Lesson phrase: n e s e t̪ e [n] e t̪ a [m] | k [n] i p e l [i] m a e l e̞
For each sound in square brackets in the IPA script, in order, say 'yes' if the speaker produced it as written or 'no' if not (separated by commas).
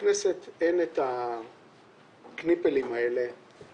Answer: yes, no, yes, yes